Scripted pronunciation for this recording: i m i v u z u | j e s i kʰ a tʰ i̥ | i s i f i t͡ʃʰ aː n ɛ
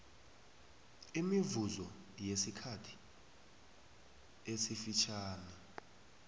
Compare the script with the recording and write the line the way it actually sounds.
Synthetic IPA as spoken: i m i v u z ɔ | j e s i kʰ a tʰ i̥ | e s i f i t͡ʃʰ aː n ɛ